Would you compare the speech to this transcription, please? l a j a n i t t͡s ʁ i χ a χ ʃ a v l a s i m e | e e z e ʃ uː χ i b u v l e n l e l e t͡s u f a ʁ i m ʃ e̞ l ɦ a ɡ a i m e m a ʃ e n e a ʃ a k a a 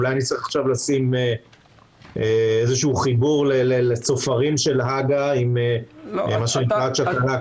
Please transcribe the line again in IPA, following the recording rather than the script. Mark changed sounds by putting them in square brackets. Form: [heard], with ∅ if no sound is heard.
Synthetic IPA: l a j a n i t t͡s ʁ i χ a χ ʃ a v l a s i m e | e e z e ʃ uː χ i b u [ʁ] l e [∅] l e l e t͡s [o] f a ʁ i m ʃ e̞ l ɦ a ɡ a i m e m a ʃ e n [i] a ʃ a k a a